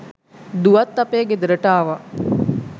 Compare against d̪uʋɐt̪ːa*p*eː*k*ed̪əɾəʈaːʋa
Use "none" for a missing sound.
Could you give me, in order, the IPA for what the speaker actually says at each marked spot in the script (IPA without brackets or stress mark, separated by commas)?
p, ɡ